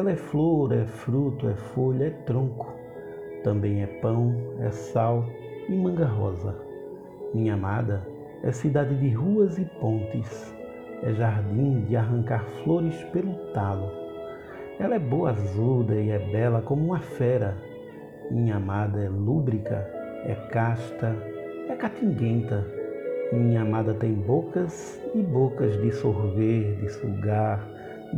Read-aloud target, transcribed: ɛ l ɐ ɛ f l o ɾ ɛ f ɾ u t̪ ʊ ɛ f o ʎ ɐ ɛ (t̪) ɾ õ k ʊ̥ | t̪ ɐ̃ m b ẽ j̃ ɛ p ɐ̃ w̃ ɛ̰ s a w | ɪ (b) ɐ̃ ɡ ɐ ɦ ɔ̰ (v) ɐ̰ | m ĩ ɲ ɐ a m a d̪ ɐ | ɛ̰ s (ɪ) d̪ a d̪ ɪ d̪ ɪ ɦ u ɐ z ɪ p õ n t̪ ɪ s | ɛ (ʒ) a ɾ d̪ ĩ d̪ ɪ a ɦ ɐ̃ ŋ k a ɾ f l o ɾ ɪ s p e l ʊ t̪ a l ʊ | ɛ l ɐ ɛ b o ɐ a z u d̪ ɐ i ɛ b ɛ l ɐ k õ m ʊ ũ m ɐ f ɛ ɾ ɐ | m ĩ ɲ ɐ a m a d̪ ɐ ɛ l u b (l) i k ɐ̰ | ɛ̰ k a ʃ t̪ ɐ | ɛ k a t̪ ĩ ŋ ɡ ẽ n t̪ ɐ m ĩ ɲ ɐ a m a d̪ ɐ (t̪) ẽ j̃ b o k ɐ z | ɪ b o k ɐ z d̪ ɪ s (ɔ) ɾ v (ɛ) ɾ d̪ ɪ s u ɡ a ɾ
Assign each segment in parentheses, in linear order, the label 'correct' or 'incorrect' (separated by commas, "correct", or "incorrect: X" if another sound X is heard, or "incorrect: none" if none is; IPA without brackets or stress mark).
correct, incorrect: m, incorrect: z, incorrect: i, correct, incorrect: ɾ, correct, incorrect: o, incorrect: e